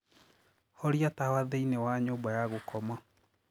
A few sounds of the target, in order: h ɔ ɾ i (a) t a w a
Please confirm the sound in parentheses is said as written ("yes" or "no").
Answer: yes